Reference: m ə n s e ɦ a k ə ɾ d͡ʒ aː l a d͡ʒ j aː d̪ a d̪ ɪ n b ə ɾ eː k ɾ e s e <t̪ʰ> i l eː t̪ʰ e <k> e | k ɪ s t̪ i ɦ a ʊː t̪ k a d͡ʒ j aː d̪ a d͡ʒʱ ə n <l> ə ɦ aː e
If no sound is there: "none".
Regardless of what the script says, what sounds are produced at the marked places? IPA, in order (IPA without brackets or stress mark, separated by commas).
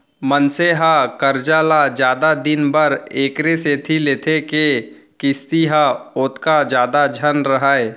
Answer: t̪ʰ, k, ɾ